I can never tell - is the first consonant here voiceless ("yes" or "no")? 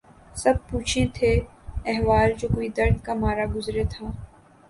yes